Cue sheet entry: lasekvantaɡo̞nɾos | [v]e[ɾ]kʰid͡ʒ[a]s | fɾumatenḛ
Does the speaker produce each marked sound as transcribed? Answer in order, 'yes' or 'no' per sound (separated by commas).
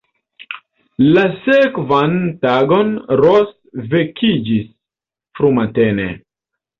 yes, no, no